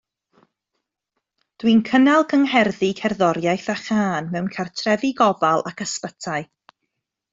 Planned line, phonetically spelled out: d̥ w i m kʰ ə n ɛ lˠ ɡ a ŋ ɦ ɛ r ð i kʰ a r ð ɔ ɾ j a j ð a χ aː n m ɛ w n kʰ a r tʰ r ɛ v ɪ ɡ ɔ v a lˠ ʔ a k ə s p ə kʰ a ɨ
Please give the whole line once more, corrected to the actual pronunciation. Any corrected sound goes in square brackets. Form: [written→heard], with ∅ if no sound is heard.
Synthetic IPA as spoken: d̥ w i [m→n] kʰ ə n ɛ lˠ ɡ [a→ə] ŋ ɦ ɛ r ð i kʰ [a→ɛ] r ð ɔ ɾ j a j [ð→θ] a χ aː n m ɛ w n kʰ a r tʰ r ɛ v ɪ ɡ ɔ v a lˠ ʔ a k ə s p ə [kʰ→tʰ] a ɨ